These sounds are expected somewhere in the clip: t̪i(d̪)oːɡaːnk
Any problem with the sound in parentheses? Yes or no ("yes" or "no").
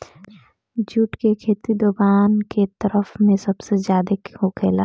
no